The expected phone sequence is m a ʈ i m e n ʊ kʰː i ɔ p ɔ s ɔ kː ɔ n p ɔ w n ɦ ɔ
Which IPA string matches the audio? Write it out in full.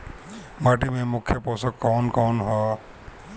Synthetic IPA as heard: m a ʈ i m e m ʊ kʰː j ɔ p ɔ s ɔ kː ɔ n k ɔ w n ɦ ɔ